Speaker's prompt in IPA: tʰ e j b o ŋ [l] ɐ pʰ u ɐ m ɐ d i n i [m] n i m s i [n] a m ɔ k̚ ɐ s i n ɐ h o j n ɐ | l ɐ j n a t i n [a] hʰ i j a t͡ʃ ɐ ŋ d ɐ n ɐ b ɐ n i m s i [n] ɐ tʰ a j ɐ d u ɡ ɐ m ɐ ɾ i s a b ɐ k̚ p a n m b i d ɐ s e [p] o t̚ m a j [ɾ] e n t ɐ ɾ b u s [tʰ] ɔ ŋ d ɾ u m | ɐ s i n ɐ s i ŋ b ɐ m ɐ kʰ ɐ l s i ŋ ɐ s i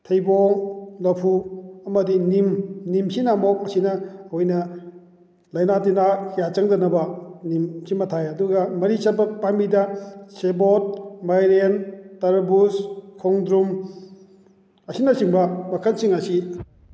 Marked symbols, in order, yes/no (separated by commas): yes, yes, yes, yes, no, no, yes, no